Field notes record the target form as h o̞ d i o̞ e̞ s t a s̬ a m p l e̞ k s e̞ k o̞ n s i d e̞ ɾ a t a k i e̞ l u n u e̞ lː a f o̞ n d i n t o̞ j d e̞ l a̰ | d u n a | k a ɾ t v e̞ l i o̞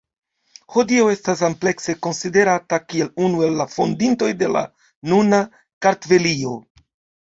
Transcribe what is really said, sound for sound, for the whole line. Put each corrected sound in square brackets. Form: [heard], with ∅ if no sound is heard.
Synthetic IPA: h o̞ d i o̞ e̞ s t a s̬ a m p l e̞ k s e̞ k o̞ n s i d e̞ ɾ a t a k i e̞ l u n u e̞ lː a f o̞ n d i n t o̞ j d e̞ l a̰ | [n] u n a | k a ɾ t v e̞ l i o̞